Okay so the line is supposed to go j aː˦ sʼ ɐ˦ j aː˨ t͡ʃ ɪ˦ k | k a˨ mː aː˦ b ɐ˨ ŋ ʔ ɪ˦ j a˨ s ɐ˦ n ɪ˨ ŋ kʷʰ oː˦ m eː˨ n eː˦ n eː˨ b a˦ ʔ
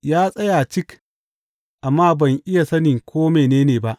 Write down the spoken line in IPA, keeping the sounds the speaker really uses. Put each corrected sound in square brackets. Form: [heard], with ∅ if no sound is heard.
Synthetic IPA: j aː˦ sʼ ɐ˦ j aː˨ t͡ʃ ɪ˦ k | [ʔ] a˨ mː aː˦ b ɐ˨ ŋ ʔ ɪ˦ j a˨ s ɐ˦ n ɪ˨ ŋ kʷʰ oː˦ m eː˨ n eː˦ n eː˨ b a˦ ʔ

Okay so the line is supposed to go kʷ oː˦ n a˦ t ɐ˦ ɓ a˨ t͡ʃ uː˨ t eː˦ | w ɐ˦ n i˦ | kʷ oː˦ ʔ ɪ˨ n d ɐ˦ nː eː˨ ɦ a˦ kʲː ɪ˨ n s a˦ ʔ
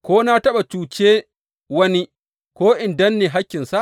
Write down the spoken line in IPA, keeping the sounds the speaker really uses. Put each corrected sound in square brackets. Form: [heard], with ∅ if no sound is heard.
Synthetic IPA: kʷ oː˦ n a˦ t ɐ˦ ɓ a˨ t͡ʃ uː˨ [t͡ʃ] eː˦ | w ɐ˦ n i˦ | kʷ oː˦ ʔ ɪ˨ n d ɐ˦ nː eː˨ ɦ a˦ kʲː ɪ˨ n s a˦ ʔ

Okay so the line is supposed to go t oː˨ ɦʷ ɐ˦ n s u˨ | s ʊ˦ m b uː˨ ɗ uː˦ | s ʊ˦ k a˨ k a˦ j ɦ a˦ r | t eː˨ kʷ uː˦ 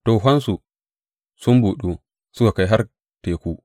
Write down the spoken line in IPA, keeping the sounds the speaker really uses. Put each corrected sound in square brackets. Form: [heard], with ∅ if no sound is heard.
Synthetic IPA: t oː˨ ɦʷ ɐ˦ n s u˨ | s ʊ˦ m b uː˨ ɗ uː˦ | s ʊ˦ k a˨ k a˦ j ɦ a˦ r | t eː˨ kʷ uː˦

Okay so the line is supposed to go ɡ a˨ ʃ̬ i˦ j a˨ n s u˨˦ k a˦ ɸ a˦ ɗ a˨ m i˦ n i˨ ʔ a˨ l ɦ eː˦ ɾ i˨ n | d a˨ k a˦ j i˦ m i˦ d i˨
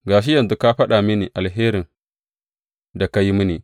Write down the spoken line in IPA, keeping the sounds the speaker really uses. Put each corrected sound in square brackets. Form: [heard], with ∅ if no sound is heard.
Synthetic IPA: ɡ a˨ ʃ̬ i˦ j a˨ n [z] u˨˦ k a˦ ɸ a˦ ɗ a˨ m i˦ n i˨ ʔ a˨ l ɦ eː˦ ɾ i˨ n | d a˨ k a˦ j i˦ m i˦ [n] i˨

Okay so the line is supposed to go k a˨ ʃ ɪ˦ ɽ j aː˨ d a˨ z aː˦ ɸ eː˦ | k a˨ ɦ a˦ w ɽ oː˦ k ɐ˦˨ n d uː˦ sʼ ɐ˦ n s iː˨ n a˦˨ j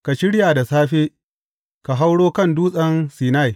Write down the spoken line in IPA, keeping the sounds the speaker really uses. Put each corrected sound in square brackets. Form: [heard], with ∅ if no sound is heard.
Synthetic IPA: k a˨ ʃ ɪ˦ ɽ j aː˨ d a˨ [s] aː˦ ɸ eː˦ | k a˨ ɦ a˦ w ɽ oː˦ k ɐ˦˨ n d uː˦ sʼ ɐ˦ n s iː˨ n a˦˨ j

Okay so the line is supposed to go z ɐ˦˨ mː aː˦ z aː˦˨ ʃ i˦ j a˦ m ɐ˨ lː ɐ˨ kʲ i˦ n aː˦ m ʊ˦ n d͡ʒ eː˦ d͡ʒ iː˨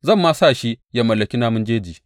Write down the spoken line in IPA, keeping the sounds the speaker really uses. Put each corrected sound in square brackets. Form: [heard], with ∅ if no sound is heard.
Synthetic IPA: z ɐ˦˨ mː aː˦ [s] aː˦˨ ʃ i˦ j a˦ m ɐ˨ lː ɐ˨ kʲ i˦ n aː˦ m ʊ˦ n d͡ʒ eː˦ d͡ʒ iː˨

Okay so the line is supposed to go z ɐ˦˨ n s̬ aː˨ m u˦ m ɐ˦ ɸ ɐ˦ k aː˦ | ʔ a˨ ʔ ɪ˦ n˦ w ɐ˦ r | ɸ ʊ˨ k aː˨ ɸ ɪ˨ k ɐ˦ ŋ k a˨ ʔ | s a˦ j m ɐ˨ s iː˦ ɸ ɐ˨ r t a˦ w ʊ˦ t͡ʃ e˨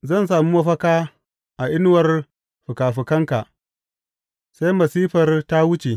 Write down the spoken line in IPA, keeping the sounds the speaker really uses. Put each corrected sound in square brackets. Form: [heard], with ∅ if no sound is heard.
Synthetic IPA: z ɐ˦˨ n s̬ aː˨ m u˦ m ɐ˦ ɸ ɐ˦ k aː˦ | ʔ a˨ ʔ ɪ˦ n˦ w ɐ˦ r | ɸ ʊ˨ k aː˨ ɸ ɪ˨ k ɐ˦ ŋ k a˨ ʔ | s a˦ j m ɐ˨ s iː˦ ɸ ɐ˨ r t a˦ w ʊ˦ t͡ʃ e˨

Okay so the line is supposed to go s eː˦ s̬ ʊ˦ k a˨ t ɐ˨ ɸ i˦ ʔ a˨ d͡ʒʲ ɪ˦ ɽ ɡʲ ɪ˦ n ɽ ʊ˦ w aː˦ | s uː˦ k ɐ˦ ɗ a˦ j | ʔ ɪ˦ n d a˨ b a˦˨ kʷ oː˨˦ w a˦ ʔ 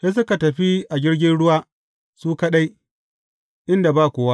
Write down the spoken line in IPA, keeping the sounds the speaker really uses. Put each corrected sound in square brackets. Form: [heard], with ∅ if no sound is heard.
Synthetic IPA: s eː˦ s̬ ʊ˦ k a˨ t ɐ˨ ɸ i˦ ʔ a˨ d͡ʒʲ ɪ˦ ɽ ɡʲ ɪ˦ n ɽ ʊ˦ w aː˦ | s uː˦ k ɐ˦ ɗ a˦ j | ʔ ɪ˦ n d a˨ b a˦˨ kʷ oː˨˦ w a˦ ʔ

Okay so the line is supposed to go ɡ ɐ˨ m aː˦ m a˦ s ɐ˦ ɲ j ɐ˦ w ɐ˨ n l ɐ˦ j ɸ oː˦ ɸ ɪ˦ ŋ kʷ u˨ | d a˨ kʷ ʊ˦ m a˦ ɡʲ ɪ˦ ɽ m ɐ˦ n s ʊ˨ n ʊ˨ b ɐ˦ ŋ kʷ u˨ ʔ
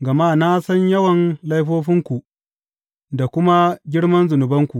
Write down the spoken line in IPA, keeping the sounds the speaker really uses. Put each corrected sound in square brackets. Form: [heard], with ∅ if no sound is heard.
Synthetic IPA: ɡ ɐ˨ m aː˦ [n] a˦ s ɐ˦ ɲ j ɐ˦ w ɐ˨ n l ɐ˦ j ɸ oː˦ ɸ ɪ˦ ŋ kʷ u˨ | d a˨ kʷ ʊ˦ m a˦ ɡʲ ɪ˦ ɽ m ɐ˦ n [z] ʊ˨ n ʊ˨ b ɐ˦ ŋ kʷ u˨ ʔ

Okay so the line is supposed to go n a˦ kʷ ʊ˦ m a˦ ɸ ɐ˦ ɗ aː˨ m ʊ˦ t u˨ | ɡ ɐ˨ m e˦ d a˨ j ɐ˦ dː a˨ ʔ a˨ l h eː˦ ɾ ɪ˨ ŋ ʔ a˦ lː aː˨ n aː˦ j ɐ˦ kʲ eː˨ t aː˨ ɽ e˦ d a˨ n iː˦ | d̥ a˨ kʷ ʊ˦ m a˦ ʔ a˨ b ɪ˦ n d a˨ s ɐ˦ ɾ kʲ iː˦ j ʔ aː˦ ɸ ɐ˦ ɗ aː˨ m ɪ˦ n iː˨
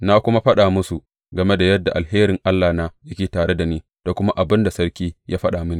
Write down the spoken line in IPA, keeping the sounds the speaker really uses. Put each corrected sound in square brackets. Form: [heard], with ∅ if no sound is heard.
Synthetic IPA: n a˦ kʷ ʊ˦ m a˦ ɸ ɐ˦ ɗ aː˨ m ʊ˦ [s] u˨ | ɡ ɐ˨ m e˦ d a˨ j ɐ˦ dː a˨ ʔ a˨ l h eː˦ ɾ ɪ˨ ŋ ʔ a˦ lː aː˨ n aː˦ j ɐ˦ kʲ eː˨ t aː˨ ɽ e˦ d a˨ n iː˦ | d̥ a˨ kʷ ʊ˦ m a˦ ʔ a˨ b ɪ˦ n d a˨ s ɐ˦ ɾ kʲ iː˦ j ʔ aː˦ ɸ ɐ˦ ɗ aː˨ m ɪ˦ n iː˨

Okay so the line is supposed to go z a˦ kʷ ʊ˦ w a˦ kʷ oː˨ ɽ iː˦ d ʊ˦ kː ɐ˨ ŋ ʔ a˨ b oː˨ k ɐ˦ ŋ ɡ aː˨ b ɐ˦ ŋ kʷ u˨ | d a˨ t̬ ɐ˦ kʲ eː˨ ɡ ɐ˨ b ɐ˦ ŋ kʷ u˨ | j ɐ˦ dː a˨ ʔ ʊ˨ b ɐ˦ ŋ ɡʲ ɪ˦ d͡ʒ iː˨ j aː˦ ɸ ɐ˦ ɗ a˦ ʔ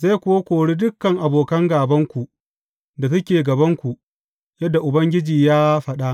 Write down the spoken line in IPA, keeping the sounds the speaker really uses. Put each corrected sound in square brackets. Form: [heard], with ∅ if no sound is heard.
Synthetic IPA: z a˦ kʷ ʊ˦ w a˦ kʷ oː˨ ɽ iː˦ d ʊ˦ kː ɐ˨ ŋ ʔ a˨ b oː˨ k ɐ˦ ŋ ɡ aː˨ b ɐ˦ ŋ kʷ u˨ | d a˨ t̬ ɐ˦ kʲ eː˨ ɡ ɐ˨ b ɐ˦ ŋ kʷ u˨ | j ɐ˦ dː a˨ ʔ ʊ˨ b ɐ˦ ŋ ɡʲ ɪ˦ d͡ʒ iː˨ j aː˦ ɸ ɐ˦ ɗ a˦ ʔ

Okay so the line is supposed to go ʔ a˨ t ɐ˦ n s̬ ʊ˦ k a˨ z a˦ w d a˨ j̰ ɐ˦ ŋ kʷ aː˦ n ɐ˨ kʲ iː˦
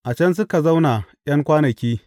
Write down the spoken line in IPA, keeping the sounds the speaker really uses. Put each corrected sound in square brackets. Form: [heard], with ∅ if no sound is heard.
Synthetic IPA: ʔ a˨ [t͡ʃ] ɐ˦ n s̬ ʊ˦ k a˨ z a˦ w [n] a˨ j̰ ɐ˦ ŋ kʷ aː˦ n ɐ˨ kʲ iː˦

